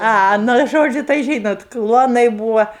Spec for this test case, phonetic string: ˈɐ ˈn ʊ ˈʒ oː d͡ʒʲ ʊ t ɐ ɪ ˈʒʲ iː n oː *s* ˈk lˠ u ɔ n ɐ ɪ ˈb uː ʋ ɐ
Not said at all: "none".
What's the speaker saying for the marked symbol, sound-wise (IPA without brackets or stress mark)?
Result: t